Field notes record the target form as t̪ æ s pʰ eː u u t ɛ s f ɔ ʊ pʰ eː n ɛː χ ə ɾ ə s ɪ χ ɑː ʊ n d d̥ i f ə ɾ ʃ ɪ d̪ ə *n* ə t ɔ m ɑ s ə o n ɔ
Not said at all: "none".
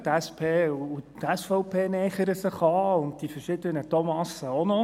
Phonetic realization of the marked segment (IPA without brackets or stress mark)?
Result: n